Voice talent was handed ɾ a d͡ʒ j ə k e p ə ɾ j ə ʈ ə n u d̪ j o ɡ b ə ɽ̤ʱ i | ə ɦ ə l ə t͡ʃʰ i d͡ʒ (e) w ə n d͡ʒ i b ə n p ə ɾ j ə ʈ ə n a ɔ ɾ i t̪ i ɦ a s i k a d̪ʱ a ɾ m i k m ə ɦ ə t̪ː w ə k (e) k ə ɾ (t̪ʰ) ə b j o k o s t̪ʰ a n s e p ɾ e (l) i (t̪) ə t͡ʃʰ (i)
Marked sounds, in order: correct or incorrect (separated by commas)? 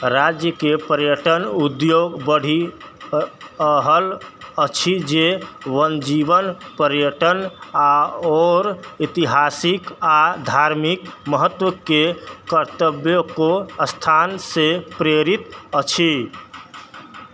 correct, correct, incorrect, incorrect, correct, correct